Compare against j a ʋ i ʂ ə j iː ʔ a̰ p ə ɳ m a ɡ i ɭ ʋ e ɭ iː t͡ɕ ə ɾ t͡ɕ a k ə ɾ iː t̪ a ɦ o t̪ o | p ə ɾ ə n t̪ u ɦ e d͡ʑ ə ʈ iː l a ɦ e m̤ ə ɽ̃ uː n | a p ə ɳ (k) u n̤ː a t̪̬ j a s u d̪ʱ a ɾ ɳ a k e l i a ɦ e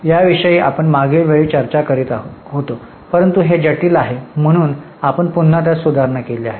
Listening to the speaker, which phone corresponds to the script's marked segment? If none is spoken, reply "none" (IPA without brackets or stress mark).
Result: p